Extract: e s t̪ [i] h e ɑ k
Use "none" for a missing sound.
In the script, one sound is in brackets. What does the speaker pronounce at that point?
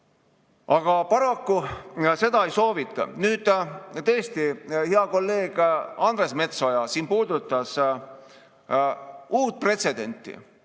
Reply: i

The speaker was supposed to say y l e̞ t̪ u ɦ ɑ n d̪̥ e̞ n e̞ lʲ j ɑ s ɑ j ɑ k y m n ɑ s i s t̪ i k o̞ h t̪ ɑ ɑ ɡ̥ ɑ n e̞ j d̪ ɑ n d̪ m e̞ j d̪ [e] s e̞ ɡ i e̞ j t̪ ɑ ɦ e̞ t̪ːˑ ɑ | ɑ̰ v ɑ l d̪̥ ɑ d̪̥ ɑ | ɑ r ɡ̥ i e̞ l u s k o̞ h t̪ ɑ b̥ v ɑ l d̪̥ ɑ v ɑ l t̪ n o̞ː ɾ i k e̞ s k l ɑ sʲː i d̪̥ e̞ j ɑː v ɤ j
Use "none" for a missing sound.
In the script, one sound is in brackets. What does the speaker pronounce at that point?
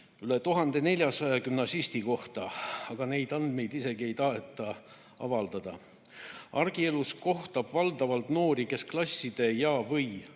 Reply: i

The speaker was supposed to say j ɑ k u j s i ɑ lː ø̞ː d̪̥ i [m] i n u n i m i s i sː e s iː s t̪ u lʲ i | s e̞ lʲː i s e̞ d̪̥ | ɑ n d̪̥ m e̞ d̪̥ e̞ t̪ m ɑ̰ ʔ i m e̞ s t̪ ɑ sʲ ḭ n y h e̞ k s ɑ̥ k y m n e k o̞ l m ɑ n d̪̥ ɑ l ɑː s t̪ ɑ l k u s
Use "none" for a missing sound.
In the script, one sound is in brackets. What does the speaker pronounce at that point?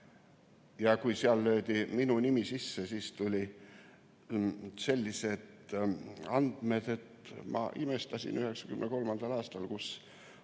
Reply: m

